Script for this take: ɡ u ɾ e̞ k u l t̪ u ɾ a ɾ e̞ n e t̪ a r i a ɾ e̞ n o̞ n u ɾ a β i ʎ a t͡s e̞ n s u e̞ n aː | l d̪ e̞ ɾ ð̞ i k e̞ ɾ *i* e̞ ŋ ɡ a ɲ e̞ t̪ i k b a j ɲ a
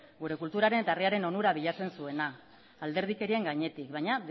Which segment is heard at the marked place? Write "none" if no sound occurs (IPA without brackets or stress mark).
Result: i